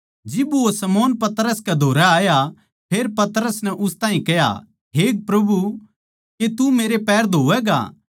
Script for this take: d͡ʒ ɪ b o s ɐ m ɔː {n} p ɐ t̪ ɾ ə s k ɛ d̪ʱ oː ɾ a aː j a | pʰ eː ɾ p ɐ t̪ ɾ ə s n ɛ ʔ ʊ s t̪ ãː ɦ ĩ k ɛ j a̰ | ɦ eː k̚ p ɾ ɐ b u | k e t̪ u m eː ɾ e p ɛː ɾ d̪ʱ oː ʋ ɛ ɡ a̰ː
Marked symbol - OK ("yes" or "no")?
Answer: yes